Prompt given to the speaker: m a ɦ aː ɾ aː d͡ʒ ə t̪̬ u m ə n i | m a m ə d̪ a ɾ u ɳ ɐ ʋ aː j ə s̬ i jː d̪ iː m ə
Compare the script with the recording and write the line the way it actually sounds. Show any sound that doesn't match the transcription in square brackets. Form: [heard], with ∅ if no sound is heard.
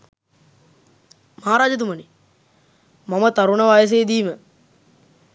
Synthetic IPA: m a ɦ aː ɾ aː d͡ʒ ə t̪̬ u m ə n i | m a m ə [t̪] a ɾ u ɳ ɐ ʋ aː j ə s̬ [e] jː d̪ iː m ə

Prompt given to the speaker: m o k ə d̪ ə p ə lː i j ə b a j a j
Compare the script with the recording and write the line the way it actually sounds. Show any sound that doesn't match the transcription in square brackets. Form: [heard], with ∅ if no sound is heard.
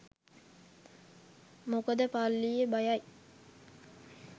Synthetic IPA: m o k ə d̪ ə p [a] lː i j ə b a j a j

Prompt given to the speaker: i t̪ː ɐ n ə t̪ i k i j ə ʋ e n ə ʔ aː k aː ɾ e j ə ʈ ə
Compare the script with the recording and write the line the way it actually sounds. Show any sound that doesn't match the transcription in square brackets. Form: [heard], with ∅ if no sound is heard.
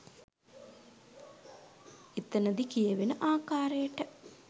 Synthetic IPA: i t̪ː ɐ n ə [d̪] i k i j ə ʋ e n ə ʔ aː k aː ɾ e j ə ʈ ə

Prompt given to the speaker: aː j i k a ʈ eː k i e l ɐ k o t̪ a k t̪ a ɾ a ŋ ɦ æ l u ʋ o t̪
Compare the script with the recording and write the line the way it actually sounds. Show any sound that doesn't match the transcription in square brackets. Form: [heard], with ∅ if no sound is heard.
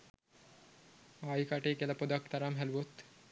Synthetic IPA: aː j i k a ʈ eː k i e l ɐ [p] o [d̪] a k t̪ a ɾ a [m] ɦ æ l u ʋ o t̪

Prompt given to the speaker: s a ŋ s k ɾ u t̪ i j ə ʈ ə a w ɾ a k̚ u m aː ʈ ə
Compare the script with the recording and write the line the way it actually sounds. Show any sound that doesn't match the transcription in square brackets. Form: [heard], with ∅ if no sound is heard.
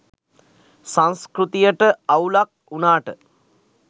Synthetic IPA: s a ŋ s k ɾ u t̪ i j ə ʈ ə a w [l] a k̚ u [n] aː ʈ ə

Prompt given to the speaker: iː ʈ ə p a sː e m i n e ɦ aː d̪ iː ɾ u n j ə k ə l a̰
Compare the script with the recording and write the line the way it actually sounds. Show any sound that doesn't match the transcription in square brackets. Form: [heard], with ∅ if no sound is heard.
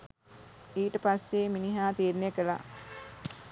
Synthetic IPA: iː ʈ ə p a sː e m i n [i] ɦ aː [t̪] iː ɾ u n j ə k ə l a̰

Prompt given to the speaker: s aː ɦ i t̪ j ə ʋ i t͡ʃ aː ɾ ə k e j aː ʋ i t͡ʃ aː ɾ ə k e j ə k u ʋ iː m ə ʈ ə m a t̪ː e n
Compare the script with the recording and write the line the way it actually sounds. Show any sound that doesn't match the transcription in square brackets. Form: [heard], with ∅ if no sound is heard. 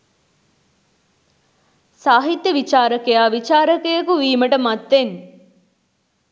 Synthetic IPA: s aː ɦ i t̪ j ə ʋ i t͡ʃ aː ɾ ə k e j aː ʋ i t͡ʃ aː ɾ ə k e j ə k u ʋ iː m ə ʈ ə m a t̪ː e n

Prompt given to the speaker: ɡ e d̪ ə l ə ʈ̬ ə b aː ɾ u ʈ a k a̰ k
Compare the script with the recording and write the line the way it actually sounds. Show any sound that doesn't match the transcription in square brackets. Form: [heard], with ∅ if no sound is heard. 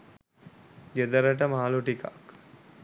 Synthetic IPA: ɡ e d̪ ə [ɾ] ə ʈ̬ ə [m] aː [l] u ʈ [i] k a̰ k

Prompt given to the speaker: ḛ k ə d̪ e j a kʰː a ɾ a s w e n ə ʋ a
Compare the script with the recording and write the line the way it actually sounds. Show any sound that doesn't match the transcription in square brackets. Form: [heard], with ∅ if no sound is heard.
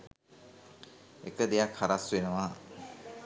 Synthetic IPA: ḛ k ə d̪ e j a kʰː a ɾ a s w e n ə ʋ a

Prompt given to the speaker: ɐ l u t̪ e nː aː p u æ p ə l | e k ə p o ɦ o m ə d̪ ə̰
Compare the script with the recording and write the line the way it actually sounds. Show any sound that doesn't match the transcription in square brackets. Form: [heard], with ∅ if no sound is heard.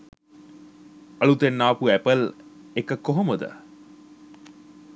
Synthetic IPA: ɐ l u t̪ e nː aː p u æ p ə l | e k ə [k] o ɦ o m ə d̪ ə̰

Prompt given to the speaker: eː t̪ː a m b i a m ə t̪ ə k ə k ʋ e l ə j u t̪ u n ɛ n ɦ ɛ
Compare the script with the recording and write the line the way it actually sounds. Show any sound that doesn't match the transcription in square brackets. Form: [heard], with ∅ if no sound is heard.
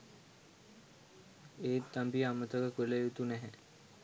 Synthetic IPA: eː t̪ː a m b i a m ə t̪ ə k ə k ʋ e l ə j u t̪ u n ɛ [∅] ɦ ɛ

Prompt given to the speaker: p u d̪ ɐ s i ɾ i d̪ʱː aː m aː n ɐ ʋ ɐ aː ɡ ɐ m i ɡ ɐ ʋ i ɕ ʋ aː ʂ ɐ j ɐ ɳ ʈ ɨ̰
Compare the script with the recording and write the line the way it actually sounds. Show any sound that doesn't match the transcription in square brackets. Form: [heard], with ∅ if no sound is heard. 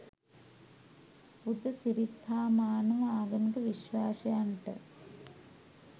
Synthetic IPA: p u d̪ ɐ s i ɾ i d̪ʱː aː m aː n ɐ ʋ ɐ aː ɡ ɐ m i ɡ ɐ ʋ i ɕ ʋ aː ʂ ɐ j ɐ ɳ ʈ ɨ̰

